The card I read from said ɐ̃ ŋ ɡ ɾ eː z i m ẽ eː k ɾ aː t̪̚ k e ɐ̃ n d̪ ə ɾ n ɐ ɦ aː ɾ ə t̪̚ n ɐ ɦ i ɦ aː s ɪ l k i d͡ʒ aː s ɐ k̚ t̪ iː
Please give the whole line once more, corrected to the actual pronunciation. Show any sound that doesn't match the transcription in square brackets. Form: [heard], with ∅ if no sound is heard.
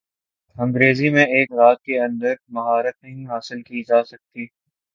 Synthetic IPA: ɐ̃ ŋ ɡ ɾ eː z i m ẽ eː k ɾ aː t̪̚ k e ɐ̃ n d̪ ə ɾ [m] ɐ ɦ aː ɾ ə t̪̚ n ɐ ɦ [ĩ] ɦ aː s ɪ l k i d͡ʒ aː s ɐ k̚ t̪ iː